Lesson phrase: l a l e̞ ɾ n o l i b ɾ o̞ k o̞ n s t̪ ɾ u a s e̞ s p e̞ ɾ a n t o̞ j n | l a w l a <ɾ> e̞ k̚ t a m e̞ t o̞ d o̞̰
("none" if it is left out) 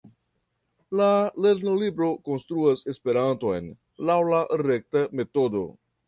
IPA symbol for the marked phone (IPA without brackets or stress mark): ɾ